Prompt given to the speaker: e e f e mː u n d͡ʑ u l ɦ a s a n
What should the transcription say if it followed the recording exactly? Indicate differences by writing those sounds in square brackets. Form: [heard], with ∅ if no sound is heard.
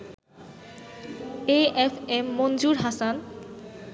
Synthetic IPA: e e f e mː [o] n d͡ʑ u [ɾ] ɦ a s a n

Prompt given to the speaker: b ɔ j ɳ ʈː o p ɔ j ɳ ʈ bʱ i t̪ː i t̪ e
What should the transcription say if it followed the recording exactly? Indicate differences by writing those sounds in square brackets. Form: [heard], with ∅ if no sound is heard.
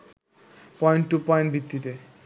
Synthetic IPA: [p] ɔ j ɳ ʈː [u] p ɔ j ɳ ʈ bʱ i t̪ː i t̪ e

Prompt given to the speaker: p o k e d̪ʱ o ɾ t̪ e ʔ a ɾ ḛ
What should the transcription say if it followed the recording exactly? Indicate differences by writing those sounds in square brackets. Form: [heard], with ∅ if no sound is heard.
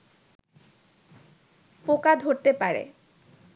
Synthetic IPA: p o k [a] d̪ʱ o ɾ t̪ e [p] a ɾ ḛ

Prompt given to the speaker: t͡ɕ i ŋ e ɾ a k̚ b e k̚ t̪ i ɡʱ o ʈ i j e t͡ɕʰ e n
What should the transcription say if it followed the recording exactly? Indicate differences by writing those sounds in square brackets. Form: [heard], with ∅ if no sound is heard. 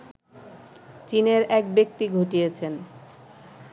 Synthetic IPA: t͡ɕ i [n] e ɾ [ɛ] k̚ b e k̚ t̪ i ɡʱ o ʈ i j e t͡ɕʰ e n

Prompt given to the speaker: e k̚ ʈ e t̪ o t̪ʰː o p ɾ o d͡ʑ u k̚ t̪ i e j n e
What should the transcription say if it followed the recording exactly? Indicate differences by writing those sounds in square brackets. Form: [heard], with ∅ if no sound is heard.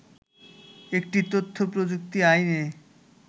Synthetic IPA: e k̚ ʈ [i] t̪ o t̪ʰː o p ɾ o d͡ʑ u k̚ t̪ i [a] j n e

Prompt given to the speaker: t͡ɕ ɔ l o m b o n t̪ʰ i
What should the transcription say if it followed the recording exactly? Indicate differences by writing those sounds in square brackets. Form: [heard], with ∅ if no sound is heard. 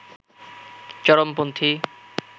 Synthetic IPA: t͡ɕ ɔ [ɾ] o m [p] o n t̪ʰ i

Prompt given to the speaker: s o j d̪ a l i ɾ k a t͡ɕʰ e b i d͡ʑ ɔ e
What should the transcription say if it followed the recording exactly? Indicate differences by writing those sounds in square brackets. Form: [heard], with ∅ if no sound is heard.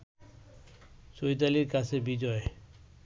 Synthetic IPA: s o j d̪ a l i ɾ k a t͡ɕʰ e b i d͡ʑ ɔ e

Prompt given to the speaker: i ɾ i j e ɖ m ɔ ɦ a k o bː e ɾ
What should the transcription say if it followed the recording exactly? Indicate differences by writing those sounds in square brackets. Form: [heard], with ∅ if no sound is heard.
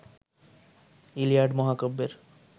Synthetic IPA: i [l] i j [a] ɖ m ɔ ɦ a k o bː e ɾ

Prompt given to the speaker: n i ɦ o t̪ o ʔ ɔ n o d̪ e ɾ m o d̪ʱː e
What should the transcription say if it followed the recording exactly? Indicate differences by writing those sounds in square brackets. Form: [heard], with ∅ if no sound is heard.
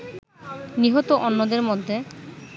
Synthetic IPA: n i ɦ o t̪ o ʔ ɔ [nː] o d̪ e ɾ m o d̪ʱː e

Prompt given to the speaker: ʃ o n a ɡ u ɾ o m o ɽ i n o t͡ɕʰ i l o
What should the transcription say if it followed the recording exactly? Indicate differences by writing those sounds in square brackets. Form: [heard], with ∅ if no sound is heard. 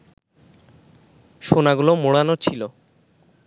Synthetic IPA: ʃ o n a ɡ u [l] o m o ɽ [a] n o t͡ɕʰ i l o

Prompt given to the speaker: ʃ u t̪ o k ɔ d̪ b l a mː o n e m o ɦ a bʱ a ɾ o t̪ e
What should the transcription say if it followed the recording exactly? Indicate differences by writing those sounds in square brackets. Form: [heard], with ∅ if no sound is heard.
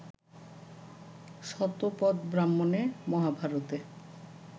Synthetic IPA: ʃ [ɔ] t̪ o [p] ɔ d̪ b [ɾ] a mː o n e m [ɔ] ɦ a bʱ a ɾ o t̪ e

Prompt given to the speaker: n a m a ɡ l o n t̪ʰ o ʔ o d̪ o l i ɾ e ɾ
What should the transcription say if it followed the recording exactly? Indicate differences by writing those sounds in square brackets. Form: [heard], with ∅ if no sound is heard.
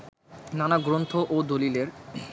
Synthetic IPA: n a [n] a ɡ [ɾ] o n t̪ʰ o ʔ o d̪ o l i [l] e ɾ

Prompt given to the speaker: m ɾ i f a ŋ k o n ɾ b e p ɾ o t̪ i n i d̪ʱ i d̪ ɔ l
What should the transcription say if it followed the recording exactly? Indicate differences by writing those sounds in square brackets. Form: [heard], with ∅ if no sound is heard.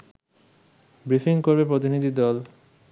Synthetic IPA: [b] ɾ i f [i] ŋ k o [∅] ɾ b e p ɾ o t̪ i n i d̪ʱ i d̪ ɔ l

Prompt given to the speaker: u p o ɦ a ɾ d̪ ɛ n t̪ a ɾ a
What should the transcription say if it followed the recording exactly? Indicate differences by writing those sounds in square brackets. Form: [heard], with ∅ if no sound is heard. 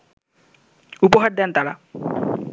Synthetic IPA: u p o ɦ a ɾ d̪ ɛ n t̪ a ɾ a

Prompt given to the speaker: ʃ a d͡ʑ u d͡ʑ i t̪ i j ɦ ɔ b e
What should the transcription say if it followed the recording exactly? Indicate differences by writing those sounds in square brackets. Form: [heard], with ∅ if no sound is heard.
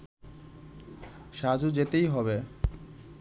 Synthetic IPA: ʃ a d͡ʑ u d͡ʑ [e] t̪ [e] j ɦ ɔ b e

